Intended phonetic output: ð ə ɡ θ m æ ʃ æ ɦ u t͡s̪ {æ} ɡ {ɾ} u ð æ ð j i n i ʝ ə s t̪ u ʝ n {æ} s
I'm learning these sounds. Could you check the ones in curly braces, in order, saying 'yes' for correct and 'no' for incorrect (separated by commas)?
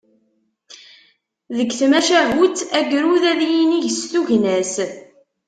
yes, yes, yes